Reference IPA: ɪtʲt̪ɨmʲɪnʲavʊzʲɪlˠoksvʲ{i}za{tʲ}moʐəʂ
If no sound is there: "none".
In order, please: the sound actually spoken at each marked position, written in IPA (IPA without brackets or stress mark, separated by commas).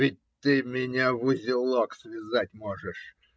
ɪ, tʲ